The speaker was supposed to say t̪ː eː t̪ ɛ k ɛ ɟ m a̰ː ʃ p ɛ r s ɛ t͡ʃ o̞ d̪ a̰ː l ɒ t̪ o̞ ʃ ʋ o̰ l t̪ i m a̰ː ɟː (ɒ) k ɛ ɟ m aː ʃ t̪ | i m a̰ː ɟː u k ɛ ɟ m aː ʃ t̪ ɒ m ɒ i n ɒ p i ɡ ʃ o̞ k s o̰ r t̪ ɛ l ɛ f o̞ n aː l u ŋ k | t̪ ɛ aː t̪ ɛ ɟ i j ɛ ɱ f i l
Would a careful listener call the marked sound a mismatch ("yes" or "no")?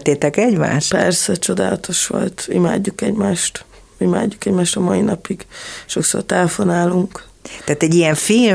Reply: yes